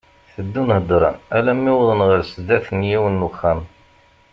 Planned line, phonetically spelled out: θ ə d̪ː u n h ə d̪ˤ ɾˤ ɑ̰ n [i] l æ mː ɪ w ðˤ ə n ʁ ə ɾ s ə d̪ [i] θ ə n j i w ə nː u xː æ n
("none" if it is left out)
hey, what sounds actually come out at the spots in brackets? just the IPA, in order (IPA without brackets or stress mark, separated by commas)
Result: æ, æ